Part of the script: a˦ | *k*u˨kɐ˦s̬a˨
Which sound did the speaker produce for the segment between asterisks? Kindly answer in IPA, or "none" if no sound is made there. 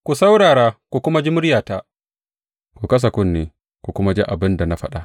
k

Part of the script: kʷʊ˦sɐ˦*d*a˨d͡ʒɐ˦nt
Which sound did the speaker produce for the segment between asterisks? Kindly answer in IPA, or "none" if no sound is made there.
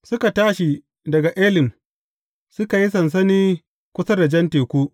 d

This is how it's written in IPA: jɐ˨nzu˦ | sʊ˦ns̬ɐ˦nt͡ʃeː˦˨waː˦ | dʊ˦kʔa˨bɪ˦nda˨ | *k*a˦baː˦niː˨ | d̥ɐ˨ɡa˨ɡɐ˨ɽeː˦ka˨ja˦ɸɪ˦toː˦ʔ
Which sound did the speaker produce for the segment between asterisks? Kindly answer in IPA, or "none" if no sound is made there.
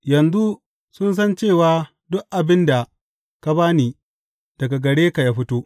k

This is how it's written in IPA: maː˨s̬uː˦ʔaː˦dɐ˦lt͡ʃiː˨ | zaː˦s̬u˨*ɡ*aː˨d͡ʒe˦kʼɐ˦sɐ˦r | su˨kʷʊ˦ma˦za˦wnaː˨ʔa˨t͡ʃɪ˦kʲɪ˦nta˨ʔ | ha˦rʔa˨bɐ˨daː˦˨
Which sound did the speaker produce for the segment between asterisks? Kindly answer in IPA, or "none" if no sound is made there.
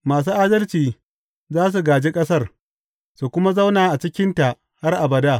ɡ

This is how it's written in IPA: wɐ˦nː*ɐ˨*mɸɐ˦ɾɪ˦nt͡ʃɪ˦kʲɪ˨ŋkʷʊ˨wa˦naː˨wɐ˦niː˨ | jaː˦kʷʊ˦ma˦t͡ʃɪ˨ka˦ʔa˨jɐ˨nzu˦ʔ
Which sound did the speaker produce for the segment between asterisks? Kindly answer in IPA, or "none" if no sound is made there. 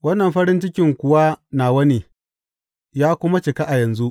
ɐ˨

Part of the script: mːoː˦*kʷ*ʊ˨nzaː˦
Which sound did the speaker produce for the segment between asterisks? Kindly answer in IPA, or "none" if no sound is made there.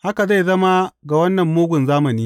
ɡʷ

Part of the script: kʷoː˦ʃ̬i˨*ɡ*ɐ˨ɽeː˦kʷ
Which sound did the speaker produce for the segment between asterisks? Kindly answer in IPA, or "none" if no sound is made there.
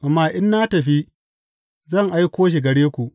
ɡ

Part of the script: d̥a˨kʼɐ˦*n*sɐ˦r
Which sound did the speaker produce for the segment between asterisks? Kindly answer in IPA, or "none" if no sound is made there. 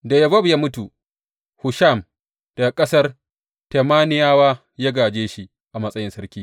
none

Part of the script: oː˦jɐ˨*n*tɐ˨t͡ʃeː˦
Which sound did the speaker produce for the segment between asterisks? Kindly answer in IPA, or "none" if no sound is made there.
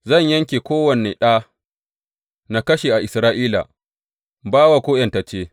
n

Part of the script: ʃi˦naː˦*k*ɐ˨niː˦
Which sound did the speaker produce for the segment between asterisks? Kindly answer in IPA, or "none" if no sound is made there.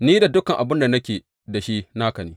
k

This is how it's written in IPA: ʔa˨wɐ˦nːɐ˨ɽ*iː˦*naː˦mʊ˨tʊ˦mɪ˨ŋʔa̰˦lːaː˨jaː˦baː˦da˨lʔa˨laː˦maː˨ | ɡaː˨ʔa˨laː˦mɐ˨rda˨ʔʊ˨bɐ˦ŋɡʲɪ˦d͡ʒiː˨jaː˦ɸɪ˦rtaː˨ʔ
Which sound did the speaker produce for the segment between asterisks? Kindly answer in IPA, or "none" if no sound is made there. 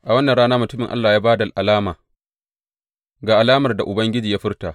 aː˦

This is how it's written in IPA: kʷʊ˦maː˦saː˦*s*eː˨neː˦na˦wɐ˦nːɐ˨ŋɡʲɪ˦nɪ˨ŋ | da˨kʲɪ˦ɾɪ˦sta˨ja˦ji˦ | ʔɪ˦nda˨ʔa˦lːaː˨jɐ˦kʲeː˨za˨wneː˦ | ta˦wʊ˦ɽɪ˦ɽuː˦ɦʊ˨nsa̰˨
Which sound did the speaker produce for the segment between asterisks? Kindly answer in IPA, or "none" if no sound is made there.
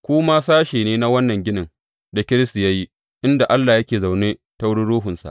ʃ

